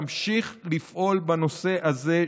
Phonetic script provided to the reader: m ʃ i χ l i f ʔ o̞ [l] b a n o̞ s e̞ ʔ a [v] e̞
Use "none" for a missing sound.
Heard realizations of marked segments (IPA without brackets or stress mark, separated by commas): l, z